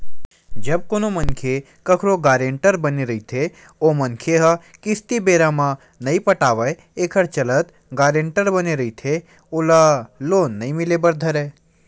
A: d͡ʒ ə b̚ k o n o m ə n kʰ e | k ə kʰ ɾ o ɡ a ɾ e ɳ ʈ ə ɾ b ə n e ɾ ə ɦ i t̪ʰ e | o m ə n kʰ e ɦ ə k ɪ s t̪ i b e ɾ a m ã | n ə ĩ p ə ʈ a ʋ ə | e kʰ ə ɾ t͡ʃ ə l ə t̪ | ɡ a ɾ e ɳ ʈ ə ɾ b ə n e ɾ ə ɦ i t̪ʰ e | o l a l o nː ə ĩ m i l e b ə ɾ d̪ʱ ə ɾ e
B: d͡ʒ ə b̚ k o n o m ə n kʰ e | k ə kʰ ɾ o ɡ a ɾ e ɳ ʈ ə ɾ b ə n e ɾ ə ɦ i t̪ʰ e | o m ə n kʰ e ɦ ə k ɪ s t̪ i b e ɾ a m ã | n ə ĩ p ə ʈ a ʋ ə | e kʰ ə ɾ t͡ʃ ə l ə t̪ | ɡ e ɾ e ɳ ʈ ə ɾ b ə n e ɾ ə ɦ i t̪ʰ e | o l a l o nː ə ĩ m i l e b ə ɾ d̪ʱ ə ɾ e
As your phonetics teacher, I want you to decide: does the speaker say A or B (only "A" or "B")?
A